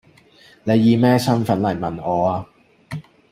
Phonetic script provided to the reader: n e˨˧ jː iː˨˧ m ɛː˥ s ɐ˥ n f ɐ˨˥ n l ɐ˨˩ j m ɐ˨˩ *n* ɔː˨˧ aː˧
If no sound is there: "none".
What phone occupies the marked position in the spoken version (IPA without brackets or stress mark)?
n